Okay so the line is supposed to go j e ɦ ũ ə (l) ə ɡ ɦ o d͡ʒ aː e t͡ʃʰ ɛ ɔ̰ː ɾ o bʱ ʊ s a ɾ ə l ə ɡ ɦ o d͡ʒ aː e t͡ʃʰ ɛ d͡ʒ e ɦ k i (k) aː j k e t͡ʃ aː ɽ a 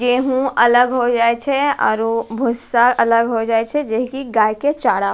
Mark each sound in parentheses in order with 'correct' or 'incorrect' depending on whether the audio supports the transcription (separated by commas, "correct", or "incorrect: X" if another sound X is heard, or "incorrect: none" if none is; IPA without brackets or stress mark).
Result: correct, incorrect: ɡ